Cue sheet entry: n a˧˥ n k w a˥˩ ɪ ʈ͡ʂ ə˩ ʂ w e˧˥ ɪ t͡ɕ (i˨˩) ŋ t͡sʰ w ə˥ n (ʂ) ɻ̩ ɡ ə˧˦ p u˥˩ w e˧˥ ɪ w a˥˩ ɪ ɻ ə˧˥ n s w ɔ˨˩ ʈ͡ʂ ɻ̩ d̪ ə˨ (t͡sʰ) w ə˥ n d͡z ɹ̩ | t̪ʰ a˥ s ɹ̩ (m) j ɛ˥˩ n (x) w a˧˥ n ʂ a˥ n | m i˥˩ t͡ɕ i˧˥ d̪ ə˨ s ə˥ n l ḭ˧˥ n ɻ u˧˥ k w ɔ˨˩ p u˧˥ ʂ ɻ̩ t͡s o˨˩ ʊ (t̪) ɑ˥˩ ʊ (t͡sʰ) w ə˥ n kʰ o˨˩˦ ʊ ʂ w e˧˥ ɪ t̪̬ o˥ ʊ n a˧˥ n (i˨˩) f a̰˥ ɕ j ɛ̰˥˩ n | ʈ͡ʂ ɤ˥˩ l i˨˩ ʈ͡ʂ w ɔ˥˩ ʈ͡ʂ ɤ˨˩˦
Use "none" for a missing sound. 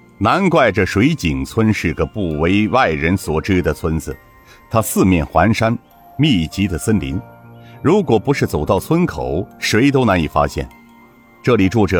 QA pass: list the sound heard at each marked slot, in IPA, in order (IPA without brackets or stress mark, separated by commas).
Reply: i˨˩, ʂ, t͡sʰ, m, x, t̪, t͡sʰ, i˨˩